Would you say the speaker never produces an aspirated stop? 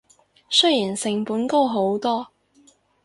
yes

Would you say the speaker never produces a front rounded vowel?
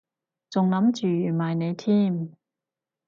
no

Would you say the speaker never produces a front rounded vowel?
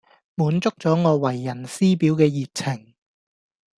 yes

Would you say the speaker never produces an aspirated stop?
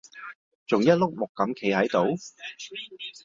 no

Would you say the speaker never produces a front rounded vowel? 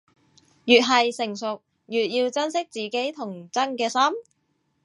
no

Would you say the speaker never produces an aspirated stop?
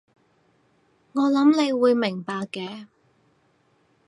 yes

